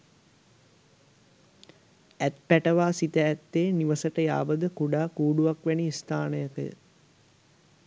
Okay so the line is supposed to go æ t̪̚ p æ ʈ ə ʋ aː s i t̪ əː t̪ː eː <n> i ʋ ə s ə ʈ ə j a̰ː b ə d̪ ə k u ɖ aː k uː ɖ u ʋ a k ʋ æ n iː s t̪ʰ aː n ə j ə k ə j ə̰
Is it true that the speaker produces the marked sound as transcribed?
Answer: yes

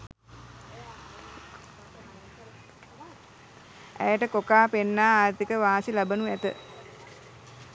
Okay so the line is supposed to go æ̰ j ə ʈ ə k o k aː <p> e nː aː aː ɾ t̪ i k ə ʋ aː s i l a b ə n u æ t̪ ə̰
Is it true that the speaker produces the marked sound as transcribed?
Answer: yes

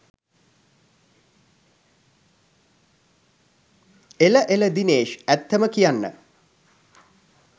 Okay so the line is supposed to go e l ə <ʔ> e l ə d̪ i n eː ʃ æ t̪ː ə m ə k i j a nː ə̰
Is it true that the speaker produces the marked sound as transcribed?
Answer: yes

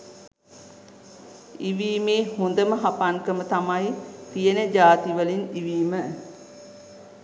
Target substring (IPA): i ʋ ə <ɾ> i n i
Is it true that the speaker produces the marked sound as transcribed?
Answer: no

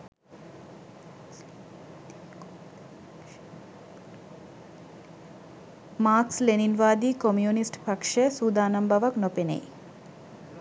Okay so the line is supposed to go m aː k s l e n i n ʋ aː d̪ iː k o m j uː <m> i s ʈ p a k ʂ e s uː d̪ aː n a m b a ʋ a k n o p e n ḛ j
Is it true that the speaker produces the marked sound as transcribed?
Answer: no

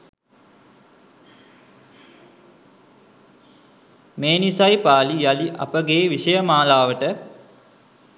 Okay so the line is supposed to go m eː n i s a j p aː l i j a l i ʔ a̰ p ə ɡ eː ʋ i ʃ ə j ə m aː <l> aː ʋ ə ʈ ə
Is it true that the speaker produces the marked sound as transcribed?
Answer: yes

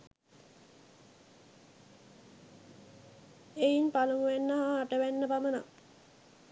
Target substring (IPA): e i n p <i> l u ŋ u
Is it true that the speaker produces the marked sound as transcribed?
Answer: no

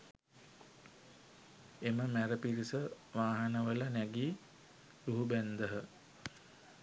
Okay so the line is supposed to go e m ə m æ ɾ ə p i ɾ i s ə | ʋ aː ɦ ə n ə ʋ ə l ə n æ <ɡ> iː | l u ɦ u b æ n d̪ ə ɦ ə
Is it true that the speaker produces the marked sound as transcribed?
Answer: yes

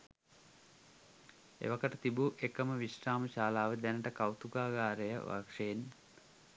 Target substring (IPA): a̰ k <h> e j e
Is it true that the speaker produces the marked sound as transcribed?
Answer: no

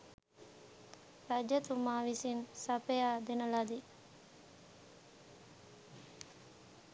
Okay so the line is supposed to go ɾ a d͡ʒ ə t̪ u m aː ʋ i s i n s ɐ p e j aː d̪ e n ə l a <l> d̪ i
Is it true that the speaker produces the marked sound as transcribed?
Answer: no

